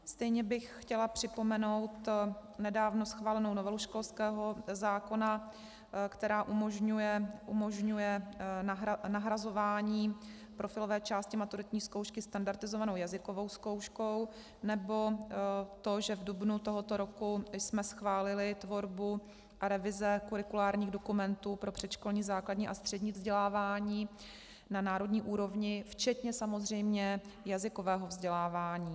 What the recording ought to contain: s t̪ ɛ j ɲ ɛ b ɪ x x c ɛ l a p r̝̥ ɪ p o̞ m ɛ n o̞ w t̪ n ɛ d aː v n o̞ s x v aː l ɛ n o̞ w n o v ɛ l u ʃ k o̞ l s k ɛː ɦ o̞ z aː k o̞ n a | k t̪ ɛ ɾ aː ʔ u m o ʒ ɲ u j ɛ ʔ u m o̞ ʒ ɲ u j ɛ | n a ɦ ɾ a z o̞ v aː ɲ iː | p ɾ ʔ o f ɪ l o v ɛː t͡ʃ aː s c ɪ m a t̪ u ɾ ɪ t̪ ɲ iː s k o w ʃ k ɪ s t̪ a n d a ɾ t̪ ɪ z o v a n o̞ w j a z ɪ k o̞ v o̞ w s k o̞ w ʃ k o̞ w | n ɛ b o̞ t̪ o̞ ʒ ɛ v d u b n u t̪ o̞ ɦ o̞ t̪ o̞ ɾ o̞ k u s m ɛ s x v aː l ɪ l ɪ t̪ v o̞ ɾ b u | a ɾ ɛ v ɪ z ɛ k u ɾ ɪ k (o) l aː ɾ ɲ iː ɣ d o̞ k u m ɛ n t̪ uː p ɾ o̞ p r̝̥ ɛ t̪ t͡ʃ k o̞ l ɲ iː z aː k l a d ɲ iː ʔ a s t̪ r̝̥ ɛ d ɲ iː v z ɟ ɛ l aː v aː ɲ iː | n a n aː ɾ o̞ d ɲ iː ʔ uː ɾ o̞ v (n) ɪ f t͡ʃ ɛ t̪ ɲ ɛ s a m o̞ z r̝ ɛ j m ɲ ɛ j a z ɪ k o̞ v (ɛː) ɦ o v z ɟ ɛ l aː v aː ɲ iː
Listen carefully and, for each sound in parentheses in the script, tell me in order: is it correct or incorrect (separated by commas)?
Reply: incorrect, incorrect, correct